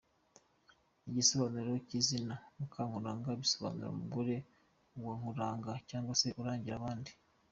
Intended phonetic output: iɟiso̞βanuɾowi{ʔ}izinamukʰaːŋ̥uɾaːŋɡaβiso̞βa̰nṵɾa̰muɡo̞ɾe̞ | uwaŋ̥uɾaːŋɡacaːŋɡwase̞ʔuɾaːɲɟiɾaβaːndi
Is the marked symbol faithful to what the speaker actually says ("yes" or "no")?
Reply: no